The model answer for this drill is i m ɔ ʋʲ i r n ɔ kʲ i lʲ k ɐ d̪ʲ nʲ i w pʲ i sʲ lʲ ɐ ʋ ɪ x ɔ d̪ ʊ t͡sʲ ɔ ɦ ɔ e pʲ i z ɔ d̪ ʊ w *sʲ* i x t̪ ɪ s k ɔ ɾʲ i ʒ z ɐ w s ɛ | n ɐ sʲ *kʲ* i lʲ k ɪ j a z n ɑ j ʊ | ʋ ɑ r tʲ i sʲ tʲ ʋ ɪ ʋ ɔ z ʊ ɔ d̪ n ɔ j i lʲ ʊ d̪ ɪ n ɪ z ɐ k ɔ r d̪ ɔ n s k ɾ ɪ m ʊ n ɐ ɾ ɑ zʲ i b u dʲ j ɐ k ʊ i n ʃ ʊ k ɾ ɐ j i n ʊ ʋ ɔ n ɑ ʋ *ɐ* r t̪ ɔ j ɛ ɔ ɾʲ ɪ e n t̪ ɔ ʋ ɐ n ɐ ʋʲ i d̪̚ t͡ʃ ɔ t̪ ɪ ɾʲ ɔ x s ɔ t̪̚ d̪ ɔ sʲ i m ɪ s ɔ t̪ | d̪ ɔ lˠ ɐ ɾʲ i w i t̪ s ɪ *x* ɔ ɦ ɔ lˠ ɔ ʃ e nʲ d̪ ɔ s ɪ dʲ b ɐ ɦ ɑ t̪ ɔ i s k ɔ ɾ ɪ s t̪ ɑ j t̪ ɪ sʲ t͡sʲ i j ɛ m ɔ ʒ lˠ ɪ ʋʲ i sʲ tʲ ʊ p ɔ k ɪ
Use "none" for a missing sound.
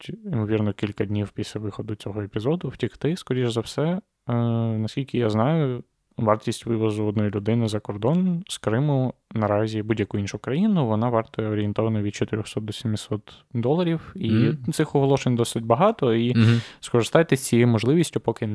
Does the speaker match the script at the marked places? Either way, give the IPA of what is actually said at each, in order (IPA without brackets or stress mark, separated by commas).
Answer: tʲ, kʲ, ɑ, x